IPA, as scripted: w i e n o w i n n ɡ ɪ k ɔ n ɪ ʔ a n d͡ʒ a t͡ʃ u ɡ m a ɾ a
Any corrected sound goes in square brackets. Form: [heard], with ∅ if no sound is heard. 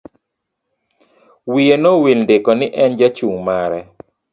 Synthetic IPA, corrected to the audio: w i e n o w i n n [d] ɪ k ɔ n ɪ ʔ [ɛ] n d͡ʒ a t͡ʃ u [ŋ] m a ɾ [ɛ]